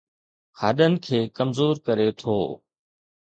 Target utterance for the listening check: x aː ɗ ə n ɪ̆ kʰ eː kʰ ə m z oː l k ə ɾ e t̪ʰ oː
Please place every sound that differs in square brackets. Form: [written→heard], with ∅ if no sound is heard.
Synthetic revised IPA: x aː ɗ ə n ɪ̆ kʰ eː [kʰ→k] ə m z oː [l→ɾ] k ə ɾ e t̪ʰ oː